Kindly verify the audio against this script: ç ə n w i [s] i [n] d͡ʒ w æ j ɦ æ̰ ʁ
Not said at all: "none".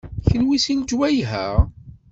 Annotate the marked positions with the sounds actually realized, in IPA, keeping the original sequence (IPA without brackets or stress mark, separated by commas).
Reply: s, n